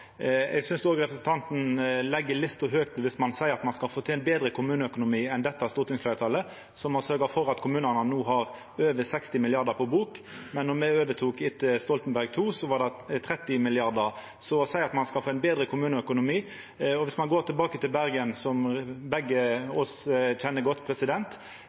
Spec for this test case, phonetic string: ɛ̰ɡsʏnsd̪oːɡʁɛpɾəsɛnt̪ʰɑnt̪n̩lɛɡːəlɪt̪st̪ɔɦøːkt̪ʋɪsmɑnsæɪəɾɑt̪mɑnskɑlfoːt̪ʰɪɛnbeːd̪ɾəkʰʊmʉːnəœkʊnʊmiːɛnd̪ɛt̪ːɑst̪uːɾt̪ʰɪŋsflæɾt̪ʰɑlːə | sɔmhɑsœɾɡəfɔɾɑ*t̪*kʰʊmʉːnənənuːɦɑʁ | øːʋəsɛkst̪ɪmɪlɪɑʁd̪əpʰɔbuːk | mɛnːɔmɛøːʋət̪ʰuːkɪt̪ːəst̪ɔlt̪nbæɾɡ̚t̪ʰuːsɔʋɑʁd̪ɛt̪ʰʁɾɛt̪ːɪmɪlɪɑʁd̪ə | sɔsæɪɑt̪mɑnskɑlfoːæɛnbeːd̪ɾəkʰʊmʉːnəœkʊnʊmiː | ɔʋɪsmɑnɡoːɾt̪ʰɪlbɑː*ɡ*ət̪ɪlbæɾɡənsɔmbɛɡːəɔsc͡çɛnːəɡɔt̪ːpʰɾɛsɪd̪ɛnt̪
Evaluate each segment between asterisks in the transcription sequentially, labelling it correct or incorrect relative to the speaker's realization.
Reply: correct, incorrect

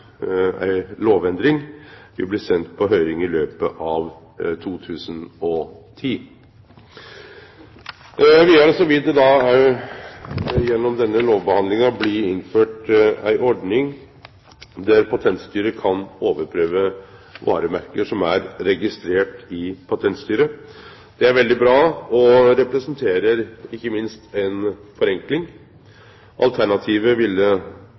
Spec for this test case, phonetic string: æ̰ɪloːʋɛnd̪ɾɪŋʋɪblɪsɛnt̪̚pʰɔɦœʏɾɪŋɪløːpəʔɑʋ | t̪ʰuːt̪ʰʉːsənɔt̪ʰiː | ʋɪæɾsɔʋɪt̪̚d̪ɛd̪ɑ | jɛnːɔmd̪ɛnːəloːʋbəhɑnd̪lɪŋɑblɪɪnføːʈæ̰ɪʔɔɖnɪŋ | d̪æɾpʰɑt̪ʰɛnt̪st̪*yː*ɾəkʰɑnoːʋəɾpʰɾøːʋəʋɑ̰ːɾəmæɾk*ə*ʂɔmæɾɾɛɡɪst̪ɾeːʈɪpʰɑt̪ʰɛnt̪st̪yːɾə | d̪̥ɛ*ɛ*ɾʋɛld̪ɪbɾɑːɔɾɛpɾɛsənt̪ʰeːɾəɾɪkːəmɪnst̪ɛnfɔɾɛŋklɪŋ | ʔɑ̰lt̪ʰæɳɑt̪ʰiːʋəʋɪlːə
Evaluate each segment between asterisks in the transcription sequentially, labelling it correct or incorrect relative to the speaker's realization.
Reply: correct, correct, incorrect

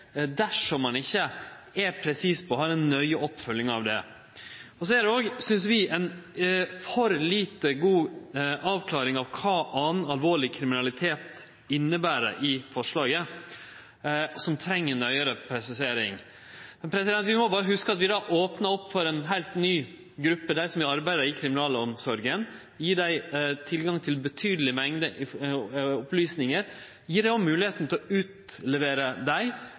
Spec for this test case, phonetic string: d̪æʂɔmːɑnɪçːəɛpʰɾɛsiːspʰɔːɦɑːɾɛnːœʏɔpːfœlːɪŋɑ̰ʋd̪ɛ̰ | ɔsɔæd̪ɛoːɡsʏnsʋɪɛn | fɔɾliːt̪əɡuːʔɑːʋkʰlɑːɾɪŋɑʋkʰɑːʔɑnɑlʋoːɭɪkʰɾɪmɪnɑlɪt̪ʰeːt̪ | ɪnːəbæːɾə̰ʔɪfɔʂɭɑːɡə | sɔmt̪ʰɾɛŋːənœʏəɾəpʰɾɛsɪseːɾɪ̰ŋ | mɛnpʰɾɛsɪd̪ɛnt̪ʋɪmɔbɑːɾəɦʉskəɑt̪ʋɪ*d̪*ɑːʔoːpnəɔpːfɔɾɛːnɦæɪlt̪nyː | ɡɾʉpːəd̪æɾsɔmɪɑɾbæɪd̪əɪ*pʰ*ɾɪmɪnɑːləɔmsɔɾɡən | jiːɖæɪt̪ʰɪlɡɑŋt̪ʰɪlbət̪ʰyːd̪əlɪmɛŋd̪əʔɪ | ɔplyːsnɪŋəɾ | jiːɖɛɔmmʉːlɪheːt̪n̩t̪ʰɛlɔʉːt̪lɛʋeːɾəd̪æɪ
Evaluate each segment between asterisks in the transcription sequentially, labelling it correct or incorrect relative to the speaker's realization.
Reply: correct, incorrect

